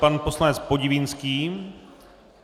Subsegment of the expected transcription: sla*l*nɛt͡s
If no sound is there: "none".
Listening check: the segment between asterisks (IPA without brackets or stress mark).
none